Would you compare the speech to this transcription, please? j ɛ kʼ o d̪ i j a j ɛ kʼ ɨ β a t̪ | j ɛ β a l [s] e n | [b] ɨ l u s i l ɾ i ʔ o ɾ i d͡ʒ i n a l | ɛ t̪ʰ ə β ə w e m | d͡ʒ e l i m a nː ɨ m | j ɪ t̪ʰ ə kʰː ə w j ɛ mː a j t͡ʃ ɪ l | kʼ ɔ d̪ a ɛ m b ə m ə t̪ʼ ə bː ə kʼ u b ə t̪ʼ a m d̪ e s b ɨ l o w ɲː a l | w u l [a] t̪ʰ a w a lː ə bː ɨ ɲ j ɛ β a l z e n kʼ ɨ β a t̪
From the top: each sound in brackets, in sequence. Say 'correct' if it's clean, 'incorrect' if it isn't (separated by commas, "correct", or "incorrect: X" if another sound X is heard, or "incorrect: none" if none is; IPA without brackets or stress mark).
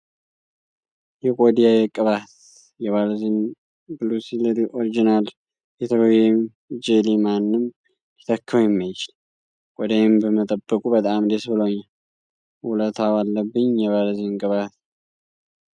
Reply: incorrect: z, correct, incorrect: ə